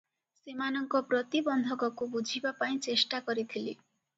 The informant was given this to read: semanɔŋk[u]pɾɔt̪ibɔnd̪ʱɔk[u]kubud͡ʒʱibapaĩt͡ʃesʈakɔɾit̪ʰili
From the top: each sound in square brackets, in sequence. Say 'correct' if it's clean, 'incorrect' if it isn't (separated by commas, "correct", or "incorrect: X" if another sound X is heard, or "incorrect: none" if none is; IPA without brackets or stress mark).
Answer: incorrect: ɔ, incorrect: ɔ